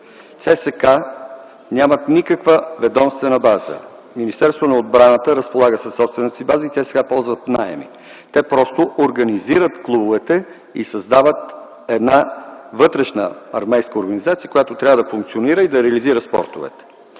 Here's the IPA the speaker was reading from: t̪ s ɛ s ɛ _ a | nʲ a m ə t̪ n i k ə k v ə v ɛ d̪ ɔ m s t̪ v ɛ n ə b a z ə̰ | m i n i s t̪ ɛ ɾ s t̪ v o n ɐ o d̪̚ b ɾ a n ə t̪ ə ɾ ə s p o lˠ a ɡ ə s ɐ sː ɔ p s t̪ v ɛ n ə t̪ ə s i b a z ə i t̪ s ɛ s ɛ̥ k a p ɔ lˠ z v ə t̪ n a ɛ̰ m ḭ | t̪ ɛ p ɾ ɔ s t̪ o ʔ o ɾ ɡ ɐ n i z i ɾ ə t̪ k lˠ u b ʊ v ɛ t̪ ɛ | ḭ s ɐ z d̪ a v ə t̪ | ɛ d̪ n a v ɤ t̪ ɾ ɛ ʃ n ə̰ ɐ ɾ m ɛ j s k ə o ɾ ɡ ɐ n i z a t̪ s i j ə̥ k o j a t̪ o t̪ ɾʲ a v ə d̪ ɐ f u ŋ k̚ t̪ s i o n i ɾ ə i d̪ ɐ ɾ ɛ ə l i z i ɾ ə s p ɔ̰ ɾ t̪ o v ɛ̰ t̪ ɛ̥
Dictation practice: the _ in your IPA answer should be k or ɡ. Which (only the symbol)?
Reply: k